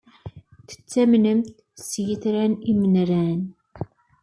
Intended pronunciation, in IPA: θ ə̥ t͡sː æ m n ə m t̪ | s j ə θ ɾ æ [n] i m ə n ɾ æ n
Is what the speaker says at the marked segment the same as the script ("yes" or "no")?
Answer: yes